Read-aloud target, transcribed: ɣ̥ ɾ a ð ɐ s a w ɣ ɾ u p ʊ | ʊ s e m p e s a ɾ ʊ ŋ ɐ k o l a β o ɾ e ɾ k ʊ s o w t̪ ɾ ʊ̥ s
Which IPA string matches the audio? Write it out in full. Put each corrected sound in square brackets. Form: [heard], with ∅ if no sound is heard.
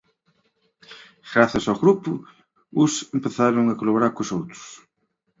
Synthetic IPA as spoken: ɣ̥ ɾ a [θ] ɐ s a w ɣ ɾ u p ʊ | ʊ s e m p e [θ] a ɾ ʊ ŋ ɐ k o l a β o ɾ [a] ɾ k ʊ s o w t̪ ɾ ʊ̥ s